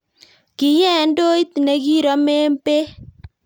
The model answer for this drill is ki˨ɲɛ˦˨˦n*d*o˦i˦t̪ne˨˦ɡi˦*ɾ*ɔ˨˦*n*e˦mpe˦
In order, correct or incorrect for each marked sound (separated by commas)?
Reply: correct, correct, incorrect